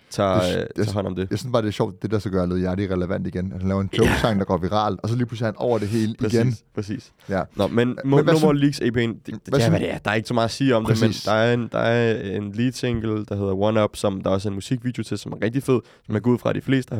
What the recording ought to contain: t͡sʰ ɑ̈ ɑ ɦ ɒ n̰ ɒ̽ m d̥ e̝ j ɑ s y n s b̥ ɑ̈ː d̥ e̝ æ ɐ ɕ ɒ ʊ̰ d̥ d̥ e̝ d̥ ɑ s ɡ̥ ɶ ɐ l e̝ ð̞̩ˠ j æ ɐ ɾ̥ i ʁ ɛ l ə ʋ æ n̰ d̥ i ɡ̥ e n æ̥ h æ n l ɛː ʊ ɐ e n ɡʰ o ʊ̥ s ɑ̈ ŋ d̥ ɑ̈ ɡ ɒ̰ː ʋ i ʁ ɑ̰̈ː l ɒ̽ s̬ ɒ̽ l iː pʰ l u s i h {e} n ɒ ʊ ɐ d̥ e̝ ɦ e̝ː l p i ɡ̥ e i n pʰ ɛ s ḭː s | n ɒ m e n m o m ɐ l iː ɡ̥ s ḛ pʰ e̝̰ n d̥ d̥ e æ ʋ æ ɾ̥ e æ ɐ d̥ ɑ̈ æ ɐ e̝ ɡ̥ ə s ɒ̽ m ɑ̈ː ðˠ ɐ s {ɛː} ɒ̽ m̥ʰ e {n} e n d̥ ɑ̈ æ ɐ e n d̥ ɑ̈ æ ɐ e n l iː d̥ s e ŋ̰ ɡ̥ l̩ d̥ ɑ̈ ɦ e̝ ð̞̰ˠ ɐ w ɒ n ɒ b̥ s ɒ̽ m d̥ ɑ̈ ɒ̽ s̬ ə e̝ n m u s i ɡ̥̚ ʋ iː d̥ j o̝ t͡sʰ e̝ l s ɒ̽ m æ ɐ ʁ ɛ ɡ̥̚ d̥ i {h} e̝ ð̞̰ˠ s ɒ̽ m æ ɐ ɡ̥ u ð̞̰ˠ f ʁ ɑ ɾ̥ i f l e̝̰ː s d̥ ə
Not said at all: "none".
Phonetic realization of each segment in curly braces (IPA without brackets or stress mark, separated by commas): æ, iː, m, f